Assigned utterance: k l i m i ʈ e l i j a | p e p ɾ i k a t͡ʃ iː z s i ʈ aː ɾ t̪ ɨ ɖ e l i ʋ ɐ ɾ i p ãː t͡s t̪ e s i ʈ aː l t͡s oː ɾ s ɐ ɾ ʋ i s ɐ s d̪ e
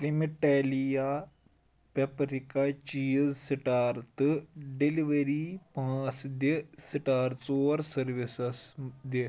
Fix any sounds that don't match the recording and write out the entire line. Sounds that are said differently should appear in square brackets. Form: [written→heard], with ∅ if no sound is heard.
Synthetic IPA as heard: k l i m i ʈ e l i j a | p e p ɾ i k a t͡ʃ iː z s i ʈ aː ɾ t̪ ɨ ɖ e l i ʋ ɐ ɾ i p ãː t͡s [t̪→d̪] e s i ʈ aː [l→ɾ] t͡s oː ɾ s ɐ ɾ ʋ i s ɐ s d̪ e

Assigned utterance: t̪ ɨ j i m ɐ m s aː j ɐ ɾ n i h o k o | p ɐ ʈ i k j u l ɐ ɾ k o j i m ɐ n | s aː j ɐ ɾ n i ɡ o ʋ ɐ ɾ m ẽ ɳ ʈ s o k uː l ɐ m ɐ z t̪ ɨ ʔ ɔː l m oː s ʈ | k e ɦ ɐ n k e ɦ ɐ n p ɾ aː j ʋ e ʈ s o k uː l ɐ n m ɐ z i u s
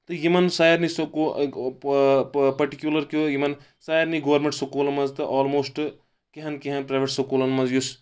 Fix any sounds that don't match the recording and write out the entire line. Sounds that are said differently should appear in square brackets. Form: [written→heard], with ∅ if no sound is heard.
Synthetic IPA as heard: t̪ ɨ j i m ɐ [m→n] s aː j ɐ ɾ n i [h→s] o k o | p ɐ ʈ i k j u l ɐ ɾ k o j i m ɐ n | s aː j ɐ ɾ n i ɡ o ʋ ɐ ɾ m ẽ ɳ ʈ s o k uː l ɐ m ɐ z t̪ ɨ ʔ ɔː l m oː s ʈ | k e ɦ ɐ n k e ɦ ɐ n p ɾ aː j ʋ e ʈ s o k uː l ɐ n m ɐ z [i→j] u s

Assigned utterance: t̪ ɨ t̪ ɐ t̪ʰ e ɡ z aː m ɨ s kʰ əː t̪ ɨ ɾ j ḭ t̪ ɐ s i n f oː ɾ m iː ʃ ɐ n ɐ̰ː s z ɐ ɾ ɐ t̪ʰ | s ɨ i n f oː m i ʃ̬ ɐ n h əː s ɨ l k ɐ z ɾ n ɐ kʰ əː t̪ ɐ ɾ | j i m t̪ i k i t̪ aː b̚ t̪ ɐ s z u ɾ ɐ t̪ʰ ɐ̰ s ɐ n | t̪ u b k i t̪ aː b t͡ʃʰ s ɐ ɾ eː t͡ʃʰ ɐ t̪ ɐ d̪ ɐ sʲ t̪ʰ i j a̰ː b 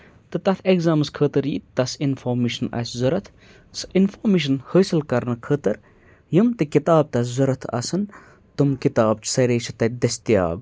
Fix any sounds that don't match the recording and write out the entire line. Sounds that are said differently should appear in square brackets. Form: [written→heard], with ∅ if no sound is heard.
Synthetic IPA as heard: t̪ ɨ t̪ ɐ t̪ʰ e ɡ z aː m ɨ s kʰ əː t̪ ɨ ɾ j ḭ t̪ ɐ s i n f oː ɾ m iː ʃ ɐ n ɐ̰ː s z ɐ ɾ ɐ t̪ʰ | s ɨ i n f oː m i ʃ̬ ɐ n h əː s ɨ l k ɐ [z→∅] ɾ n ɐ kʰ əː t̪ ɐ ɾ | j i m t̪ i k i t̪ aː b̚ t̪ ɐ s z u ɾ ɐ t̪ʰ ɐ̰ s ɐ n | t̪ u [b→m] k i t̪ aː b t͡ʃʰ s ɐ ɾ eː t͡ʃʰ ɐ t̪ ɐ d̪ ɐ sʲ [t̪ʰ→t̪] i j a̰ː b

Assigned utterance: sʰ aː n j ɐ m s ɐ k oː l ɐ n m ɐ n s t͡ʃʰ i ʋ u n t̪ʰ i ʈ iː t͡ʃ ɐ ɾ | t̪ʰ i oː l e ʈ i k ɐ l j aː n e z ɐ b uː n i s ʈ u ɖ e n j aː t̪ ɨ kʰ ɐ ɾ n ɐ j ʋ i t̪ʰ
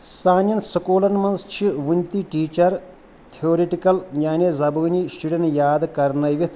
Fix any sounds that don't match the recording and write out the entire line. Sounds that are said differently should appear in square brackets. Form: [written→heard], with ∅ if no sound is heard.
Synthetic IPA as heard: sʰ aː n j ɐ [m→n] s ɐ k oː l ɐ n m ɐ n s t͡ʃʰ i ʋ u n [t̪ʰ→t̪] i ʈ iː t͡ʃ ɐ ɾ | t̪ʰ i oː [l→ɾ] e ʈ i k ɐ l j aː n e z ɐ b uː n i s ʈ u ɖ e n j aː [t̪→d̪] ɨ [kʰ→k] ɐ ɾ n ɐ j ʋ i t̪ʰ

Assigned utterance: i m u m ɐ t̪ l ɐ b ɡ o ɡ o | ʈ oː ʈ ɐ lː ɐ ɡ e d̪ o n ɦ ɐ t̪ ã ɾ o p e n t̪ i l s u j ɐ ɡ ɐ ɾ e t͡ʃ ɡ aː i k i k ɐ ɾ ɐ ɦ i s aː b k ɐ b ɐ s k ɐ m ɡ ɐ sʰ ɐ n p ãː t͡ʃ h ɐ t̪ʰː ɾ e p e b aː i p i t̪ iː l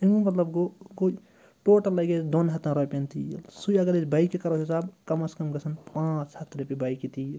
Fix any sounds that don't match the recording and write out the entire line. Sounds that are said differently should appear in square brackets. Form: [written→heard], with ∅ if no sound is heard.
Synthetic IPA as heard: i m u m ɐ t̪ l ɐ b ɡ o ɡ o | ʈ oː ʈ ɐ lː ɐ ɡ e d̪ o n ɦ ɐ t̪ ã ɾ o p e n t̪ i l s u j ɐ ɡ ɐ ɾ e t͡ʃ [ɡ→b] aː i k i k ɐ ɾ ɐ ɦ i s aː b k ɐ [b→m] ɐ s k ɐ m ɡ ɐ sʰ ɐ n p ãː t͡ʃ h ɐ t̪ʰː ɾ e p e b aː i [p→k] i t̪ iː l

